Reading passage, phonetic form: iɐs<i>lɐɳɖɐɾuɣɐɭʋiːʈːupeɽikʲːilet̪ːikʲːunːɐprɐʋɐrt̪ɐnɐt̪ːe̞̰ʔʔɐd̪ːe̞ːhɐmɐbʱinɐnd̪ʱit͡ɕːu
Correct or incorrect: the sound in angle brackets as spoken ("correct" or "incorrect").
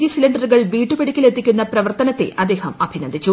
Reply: correct